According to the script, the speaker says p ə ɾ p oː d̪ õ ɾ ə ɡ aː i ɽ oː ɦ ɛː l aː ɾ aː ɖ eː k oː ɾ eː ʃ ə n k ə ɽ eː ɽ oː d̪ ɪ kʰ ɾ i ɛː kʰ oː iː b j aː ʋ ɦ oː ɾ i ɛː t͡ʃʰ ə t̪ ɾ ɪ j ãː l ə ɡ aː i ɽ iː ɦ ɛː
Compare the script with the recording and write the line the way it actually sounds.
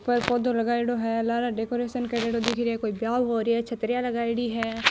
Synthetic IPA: p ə ɾ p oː d̪ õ l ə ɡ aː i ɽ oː ɦ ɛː l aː ɾ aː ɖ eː k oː ɾ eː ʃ ə n k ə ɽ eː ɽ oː d̪ ɪ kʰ ɾ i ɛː k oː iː b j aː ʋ ɦ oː ɾ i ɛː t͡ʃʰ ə t̪ ɾ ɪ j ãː l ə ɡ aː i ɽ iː ɦ ɛː